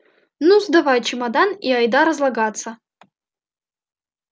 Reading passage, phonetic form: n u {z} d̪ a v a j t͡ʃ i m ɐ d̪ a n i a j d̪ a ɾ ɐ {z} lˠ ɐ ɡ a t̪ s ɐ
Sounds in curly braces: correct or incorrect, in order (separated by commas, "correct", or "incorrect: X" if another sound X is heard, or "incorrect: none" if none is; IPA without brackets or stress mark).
correct, correct